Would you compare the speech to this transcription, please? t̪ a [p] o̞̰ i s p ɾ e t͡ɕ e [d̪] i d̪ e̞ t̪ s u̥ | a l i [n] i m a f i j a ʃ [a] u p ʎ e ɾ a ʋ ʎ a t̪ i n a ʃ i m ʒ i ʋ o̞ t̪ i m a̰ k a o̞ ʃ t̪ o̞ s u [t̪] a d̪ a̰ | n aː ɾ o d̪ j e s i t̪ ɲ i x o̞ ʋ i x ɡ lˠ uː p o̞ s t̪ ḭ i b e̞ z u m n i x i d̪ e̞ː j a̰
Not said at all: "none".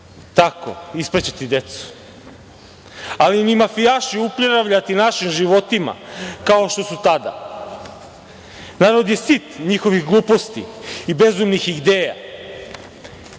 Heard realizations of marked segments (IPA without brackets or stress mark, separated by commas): k, t̪, n, i, t̪